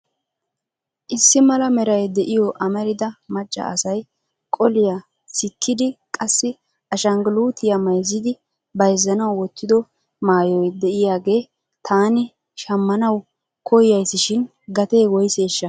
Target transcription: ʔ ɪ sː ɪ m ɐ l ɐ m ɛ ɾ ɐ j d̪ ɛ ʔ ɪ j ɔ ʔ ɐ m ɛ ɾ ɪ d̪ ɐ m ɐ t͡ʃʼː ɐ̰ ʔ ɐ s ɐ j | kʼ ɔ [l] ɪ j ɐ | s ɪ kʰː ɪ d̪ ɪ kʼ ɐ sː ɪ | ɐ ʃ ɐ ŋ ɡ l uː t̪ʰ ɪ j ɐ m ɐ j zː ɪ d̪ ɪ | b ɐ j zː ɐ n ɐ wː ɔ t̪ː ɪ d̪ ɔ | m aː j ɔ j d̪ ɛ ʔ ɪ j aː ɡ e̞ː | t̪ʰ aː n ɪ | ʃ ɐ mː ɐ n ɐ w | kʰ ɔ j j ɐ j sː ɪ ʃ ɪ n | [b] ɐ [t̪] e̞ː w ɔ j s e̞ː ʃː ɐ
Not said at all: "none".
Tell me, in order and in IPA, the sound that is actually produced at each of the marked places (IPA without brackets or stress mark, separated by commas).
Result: l, ɡ, t̪